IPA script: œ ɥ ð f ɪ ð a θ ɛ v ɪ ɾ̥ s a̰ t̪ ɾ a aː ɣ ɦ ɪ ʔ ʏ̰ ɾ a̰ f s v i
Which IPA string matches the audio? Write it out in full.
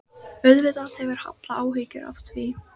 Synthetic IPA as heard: œ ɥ ð v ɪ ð a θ ɛ v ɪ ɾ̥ h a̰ t̪ l a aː w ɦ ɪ c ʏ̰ ɾ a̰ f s v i